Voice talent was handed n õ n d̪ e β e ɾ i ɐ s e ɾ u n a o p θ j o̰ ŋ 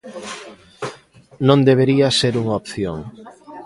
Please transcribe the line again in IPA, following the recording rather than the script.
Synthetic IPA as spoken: n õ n d̪ e β e ɾ i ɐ s e ɾ u ŋ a o p θ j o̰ ŋ